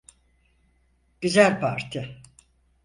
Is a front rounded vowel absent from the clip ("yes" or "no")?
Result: no